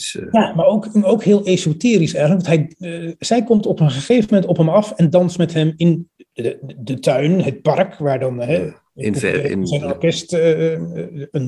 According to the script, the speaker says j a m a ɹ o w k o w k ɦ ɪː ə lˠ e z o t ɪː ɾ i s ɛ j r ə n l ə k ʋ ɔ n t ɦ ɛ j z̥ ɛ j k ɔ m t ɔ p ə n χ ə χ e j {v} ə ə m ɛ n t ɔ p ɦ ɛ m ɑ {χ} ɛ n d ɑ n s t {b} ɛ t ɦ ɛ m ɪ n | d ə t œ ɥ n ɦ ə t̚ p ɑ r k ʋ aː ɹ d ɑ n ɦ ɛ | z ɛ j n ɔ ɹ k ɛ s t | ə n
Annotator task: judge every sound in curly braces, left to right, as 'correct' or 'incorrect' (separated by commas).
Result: correct, incorrect, incorrect